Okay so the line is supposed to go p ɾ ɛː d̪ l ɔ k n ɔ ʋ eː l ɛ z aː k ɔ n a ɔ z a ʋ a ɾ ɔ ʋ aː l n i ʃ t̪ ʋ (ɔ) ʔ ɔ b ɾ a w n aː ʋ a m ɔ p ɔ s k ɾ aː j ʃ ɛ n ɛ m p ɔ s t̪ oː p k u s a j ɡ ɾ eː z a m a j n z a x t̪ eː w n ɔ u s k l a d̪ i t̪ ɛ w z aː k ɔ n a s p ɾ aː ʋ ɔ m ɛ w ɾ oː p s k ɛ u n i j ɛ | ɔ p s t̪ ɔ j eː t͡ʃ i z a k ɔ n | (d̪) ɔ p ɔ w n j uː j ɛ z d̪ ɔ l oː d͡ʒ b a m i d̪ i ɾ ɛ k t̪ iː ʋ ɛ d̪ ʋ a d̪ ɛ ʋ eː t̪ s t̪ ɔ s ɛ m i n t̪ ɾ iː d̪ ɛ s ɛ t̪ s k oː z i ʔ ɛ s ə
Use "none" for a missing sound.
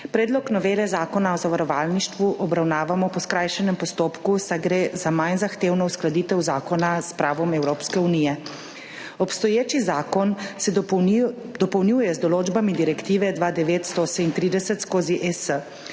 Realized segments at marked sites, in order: u, d̪

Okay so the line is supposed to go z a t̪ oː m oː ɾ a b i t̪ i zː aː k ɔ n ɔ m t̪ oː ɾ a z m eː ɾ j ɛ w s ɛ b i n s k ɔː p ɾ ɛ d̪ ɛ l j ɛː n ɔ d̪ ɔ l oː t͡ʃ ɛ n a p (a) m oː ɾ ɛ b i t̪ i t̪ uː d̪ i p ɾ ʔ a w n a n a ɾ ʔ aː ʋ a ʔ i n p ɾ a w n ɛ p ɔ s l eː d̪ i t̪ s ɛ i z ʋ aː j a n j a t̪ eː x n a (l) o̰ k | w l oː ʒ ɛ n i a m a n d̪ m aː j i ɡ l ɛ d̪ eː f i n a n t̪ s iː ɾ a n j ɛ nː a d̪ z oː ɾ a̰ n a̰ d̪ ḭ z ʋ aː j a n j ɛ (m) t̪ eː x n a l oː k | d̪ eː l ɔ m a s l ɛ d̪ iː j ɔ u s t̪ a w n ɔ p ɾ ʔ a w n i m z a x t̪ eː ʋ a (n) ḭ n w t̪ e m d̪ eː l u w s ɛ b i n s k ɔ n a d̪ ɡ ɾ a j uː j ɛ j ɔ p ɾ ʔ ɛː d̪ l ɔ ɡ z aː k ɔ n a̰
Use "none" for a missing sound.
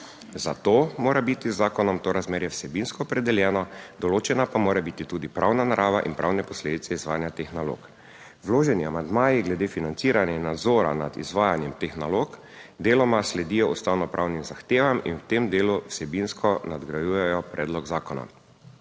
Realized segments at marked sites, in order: a, l, m, m

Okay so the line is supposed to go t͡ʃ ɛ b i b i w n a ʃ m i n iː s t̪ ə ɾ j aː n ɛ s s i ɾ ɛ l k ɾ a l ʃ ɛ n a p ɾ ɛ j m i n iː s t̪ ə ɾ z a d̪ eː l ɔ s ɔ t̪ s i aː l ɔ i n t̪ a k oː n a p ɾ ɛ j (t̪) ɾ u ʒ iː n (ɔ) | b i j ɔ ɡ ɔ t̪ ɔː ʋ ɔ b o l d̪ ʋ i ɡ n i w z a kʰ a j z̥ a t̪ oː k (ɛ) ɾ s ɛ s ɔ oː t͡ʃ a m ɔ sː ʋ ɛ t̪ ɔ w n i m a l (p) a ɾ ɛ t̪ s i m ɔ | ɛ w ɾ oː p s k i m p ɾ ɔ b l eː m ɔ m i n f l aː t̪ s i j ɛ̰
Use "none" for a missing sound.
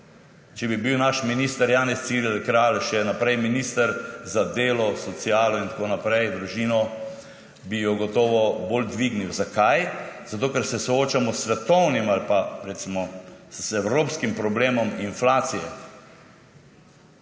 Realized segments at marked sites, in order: d̪, ɔ, ɛ, p

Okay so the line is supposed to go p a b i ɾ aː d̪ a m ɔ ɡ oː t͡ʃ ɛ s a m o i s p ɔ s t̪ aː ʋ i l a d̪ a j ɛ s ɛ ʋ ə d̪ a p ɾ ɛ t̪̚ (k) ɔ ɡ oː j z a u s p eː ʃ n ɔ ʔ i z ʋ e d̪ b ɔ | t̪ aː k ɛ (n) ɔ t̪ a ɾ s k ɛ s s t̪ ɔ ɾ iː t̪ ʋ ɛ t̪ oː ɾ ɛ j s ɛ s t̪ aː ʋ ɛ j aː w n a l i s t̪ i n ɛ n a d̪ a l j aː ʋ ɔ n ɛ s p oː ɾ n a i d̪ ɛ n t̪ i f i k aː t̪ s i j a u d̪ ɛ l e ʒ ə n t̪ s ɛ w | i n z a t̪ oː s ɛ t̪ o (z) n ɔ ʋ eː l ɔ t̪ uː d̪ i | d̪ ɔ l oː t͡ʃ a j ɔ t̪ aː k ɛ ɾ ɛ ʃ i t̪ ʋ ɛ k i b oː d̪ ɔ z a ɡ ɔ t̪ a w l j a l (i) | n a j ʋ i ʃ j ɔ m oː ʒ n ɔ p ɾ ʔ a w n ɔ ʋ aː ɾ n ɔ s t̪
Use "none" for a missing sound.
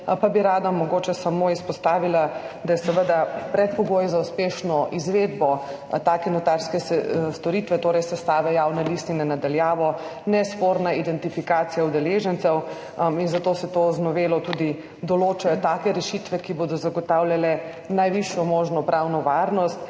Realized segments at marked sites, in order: p, n, z, ɛ

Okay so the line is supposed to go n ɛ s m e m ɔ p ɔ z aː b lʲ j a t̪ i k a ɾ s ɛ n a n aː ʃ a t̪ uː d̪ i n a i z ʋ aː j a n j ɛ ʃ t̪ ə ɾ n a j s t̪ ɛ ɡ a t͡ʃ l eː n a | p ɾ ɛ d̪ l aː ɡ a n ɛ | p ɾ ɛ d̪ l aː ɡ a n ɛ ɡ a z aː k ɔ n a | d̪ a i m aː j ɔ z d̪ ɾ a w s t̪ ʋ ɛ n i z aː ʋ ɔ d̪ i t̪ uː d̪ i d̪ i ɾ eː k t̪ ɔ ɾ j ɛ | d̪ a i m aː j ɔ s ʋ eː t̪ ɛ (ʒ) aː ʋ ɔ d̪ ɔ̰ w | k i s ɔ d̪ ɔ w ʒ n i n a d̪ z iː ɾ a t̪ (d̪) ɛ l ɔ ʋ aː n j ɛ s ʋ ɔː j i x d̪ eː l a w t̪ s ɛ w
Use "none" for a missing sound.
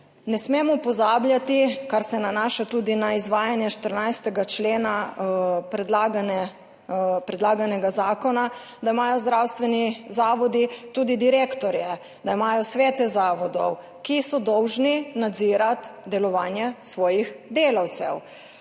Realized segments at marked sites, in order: z, d̪

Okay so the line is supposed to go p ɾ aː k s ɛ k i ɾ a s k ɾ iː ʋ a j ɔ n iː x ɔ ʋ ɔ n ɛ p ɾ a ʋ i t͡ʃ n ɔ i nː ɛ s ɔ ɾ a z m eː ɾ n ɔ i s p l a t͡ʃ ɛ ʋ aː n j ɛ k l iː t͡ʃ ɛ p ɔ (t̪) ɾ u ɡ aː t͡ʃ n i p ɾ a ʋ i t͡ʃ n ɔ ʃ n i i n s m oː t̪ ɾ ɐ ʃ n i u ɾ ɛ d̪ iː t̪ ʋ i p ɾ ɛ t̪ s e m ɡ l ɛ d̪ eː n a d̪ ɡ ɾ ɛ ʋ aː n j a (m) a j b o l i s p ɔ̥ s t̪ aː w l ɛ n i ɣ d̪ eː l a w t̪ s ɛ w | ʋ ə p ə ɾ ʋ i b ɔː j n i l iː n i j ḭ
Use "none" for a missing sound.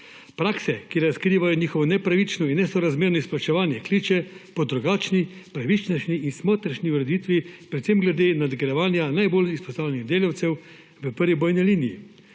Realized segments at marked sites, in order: d̪, n

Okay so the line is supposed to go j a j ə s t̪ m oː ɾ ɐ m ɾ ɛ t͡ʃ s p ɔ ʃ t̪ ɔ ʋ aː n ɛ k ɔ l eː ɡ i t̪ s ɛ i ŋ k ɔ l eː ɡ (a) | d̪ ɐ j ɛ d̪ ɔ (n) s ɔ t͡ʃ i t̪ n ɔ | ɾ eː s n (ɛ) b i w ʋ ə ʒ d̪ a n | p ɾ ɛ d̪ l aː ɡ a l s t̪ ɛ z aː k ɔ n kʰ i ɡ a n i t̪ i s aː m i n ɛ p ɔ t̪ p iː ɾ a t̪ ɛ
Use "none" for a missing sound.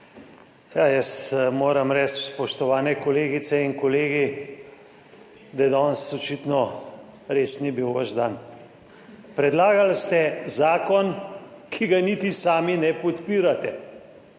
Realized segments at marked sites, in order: i, n, i

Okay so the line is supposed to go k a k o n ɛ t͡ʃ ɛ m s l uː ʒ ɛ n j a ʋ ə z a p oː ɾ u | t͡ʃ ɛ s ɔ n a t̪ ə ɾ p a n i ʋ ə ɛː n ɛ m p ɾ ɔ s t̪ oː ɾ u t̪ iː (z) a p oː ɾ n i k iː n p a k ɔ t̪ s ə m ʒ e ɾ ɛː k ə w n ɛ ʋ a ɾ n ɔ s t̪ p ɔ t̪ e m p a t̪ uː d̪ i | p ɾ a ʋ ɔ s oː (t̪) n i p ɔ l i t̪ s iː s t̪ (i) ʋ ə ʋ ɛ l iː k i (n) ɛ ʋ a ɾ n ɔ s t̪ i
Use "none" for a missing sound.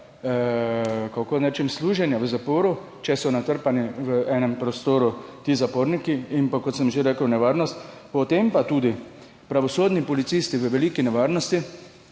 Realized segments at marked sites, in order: z, d̪, i, n

